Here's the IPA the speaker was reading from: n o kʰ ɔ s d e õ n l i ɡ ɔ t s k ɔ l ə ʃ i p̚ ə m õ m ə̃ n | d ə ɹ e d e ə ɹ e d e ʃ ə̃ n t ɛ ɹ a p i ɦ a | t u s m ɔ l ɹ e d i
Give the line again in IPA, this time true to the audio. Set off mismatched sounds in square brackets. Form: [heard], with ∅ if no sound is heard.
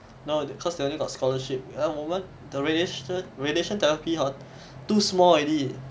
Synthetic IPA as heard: n o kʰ ɔ s d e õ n l i ɡ ɔ t s k ɔ l ə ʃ i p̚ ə m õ m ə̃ n | d ə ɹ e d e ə ɹ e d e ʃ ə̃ n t ɛ ɹ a p i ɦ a | t u s m ɔ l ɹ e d i